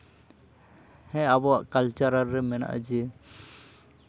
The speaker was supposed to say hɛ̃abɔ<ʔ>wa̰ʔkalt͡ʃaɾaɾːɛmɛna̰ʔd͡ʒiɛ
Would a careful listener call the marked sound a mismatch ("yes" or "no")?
yes